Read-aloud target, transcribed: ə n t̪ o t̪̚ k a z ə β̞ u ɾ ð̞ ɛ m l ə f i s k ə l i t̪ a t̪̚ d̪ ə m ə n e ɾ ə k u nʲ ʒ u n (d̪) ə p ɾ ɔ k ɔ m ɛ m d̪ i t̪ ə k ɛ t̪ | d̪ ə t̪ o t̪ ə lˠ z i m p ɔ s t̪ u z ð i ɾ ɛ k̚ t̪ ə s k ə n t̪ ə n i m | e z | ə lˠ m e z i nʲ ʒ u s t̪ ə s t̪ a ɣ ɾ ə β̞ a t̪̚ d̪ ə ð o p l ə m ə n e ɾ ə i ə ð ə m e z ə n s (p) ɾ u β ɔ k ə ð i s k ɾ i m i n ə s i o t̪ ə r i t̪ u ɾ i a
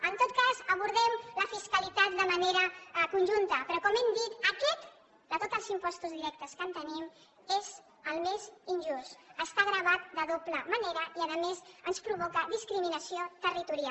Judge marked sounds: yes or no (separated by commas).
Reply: no, yes